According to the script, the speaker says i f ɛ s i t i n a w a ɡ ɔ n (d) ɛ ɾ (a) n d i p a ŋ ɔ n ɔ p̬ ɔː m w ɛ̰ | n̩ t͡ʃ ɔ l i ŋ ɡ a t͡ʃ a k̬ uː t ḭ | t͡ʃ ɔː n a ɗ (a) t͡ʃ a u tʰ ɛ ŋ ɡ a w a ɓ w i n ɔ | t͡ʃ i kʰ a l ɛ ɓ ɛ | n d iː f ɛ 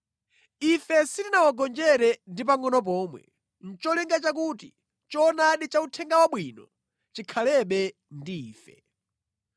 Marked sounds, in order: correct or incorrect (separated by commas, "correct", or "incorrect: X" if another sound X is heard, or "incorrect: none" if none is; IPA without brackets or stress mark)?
incorrect: d͡ʒ, incorrect: ɛ, incorrect: i